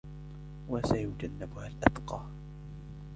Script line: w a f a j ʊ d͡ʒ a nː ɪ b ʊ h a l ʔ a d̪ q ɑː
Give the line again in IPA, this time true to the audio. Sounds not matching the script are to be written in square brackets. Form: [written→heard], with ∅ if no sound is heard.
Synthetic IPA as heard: w a [f→s] a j ʊ d͡ʒ a nː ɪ b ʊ h a l ʔ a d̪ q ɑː